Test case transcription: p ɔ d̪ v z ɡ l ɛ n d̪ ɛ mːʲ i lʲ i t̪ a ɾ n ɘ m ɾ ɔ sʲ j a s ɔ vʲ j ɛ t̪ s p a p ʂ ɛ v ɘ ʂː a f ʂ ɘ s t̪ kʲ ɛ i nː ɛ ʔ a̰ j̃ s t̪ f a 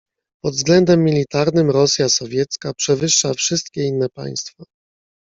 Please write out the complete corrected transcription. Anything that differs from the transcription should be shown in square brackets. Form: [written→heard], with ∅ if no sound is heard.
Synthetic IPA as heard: p ɔ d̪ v z ɡ l ɛ n d̪ ɛ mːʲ i lʲ i t̪ a ɾ n ɘ m ɾ ɔ sʲ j a s ɔ vʲ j ɛ t̪ s [p→k] a p ʂ ɛ v ɘ ʂː a f ʂ ɘ s t̪ kʲ ɛ i nː ɛ [ʔ→p] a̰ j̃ s t̪ f a